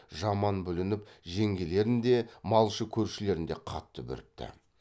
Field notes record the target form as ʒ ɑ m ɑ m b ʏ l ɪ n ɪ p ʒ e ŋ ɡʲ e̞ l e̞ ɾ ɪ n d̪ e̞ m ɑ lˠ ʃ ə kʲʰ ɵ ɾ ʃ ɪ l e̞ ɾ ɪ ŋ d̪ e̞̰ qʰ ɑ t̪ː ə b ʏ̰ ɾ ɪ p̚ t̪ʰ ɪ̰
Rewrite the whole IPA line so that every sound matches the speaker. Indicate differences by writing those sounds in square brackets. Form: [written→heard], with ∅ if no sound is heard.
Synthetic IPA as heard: ʒ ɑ m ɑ [m→n] b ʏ l ɪ n ɪ p ʒ e ŋ ɡʲ e̞ l e̞ ɾ ɪ n d̪ e̞ m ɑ lˠ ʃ ə kʲʰ ɵ ɾ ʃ ɪ l e̞ ɾ ɪ [ŋ→n] d̪ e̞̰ qʰ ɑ t̪ː ə b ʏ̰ ɾ ɪ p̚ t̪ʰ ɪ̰